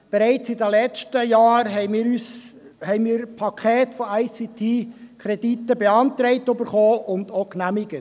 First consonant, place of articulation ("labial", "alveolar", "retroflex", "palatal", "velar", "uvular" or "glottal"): labial